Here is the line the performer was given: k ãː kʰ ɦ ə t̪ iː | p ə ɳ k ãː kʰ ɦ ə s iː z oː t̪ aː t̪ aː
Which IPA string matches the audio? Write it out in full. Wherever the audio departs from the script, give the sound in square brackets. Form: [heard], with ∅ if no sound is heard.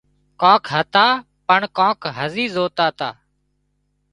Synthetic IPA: k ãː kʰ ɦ ə t̪ [aː] | p ə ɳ k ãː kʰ ɦ ə [z] iː z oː t̪ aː t̪ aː